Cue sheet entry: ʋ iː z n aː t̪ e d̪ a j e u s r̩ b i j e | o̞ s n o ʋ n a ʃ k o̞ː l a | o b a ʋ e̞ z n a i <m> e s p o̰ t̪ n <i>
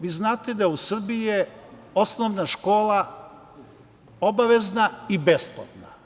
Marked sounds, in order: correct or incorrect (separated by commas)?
incorrect, incorrect